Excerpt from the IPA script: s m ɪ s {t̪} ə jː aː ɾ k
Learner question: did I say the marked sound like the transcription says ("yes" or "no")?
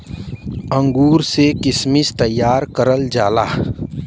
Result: yes